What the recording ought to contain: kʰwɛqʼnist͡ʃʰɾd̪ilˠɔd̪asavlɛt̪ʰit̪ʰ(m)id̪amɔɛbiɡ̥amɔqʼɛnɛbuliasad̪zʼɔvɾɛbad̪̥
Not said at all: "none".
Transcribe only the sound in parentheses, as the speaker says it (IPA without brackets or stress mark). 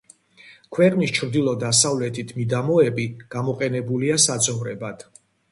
m